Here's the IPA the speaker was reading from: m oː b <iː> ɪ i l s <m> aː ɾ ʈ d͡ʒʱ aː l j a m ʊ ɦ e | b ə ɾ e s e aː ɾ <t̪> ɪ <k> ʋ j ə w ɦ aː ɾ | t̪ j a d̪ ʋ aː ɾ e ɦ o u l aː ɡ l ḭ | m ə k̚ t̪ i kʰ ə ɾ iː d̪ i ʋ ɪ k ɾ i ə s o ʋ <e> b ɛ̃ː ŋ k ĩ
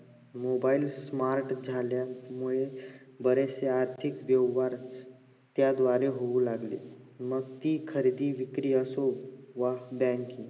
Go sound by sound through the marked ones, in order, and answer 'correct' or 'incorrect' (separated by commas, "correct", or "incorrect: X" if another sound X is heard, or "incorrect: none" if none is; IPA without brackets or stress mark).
incorrect: aː, correct, incorrect: t̪ʰ, correct, incorrect: a